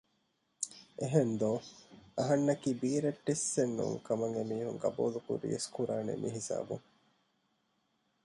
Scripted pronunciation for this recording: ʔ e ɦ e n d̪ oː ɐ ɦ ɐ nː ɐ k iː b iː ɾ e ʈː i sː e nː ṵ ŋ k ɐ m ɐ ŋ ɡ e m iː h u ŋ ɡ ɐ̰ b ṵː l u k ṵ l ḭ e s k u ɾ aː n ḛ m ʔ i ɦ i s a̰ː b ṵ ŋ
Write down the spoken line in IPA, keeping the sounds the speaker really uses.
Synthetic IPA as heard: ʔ e ɦ e n d̪ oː ɐ ɦ ɐ nː ɐ k iː b iː ɾ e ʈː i sː e nː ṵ ŋ k ɐ m ɐ ŋ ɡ e m iː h u ŋ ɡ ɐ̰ b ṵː l u k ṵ ɾ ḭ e s k u ɾ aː n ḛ m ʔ i ɦ i s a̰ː b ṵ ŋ